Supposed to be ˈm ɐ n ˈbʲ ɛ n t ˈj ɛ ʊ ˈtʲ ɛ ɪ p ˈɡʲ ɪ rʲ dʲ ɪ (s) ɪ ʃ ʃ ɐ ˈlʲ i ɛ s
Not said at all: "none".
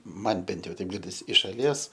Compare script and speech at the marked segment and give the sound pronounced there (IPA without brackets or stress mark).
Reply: s